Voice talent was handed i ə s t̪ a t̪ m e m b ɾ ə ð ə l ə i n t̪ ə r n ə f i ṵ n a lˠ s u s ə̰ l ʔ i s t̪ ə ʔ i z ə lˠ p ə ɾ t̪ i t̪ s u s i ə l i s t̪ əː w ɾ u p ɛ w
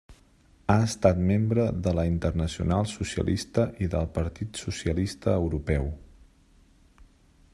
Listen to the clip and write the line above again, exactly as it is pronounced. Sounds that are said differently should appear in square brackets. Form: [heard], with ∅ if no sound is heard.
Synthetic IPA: [a] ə s t̪ a t̪ m e m b ɾ ə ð ə l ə i n t̪ ə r n ə [s] i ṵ n a lˠ s u s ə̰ l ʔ i s t̪ ə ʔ i [ð] ə lˠ p ə ɾ t̪ i t̪ s u s i ə l i s t̪ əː w ɾ u p ɛ w